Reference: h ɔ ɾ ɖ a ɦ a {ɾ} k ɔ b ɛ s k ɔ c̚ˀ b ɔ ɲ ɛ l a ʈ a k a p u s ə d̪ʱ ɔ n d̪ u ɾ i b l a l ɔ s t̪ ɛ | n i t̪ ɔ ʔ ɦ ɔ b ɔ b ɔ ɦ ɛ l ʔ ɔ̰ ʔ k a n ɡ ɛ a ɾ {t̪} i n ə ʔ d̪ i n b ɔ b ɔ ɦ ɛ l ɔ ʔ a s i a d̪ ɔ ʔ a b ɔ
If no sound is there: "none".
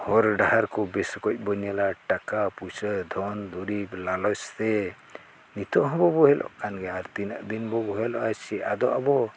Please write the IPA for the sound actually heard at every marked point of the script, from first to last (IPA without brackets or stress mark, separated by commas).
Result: ɾ, t̪